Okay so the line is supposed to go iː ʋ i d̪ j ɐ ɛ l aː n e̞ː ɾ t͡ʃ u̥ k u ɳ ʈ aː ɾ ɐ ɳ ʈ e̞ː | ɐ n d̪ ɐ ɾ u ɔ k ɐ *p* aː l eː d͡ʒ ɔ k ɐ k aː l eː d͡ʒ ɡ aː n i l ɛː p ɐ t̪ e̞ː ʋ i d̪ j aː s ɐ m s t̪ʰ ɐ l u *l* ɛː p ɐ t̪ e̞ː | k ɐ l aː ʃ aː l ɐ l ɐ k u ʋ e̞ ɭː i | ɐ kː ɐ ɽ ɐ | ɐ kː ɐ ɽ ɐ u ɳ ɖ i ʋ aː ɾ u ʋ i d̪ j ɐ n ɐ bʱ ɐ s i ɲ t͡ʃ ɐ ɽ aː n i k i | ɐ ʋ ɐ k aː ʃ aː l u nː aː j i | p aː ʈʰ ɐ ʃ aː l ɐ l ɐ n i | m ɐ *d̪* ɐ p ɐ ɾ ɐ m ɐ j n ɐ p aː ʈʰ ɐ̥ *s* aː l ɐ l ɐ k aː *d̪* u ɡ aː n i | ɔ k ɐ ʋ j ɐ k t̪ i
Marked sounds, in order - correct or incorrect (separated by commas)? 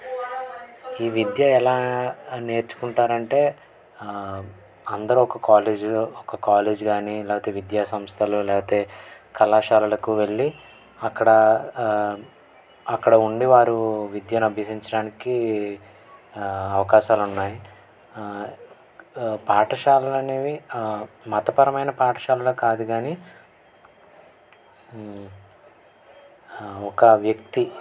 incorrect, correct, incorrect, incorrect, correct